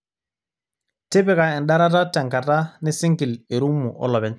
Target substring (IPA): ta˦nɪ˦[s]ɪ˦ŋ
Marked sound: correct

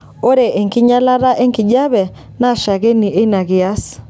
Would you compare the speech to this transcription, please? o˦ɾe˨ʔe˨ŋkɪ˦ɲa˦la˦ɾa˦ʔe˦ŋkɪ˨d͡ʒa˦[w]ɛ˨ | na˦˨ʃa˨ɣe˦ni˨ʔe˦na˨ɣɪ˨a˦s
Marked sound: incorrect: β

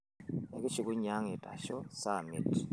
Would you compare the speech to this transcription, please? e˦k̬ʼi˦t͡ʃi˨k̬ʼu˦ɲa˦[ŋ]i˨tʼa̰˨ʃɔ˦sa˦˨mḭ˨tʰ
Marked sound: correct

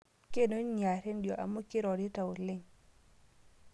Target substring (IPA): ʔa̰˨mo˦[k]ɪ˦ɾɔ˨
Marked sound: correct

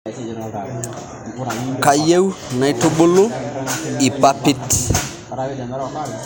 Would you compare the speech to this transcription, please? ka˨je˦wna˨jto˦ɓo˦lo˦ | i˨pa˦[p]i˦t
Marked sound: correct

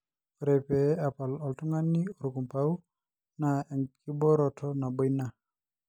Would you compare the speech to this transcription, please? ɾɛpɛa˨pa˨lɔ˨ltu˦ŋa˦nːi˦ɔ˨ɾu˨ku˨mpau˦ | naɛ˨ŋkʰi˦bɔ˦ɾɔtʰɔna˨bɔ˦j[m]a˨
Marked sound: incorrect: n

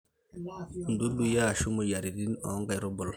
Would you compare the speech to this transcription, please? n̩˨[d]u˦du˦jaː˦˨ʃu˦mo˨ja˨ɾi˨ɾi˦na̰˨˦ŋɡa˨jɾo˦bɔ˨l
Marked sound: correct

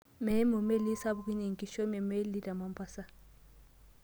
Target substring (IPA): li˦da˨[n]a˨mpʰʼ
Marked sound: incorrect: m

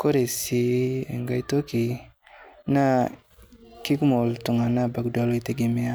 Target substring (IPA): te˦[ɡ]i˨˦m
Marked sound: correct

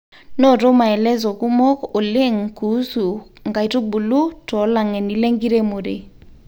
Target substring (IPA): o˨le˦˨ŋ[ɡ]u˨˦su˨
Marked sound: incorrect: k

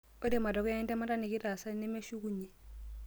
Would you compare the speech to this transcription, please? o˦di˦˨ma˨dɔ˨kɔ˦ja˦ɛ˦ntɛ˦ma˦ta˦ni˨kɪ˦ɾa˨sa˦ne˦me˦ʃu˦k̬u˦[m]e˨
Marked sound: incorrect: ɲ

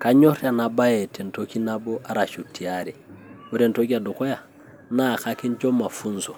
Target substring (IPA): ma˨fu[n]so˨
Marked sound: correct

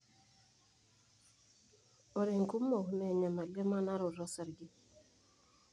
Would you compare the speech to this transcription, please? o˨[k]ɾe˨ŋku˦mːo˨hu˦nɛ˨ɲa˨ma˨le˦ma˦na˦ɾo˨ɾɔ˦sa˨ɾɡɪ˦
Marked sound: incorrect: none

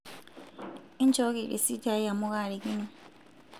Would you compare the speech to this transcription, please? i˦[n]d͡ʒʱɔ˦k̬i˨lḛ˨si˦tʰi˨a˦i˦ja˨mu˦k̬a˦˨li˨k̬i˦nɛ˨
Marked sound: correct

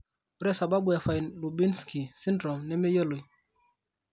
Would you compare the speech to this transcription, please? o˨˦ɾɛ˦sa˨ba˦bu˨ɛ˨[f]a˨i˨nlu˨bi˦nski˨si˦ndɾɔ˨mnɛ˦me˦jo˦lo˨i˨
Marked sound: correct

